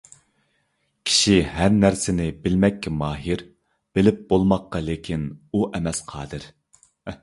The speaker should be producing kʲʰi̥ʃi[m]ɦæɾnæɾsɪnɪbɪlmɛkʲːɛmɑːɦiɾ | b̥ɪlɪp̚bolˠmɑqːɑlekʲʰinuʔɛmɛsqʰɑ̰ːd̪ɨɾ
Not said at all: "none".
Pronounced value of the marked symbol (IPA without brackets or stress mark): none